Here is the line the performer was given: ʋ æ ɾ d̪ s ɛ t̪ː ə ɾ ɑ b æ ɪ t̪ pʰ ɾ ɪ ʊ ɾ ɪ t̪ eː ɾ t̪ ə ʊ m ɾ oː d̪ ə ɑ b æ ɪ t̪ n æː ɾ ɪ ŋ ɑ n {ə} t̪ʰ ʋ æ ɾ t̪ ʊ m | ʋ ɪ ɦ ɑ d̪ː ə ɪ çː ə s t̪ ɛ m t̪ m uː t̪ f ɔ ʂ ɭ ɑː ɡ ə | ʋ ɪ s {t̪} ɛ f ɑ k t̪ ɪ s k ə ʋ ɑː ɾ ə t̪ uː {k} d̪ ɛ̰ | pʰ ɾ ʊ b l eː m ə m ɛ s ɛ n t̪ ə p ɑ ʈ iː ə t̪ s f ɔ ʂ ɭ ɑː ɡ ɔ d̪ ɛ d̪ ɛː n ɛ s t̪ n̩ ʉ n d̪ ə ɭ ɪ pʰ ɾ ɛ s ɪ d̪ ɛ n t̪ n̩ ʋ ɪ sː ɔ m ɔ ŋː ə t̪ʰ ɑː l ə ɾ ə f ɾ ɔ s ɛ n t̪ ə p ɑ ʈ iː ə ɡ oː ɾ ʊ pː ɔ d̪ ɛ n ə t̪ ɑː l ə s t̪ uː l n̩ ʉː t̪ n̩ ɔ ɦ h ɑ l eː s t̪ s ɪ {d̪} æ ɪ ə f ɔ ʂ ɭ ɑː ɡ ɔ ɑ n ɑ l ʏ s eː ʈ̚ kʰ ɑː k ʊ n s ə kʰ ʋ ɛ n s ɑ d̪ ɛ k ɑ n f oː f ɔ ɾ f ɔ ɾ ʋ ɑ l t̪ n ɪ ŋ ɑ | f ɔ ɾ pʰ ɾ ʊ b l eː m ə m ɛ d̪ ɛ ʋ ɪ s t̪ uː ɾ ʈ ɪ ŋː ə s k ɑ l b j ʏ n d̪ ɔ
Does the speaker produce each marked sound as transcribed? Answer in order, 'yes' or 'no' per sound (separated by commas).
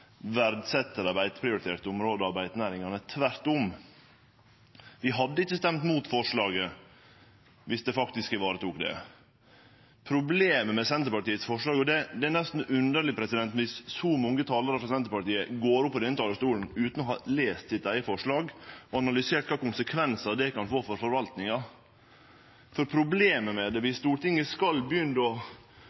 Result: yes, no, yes, no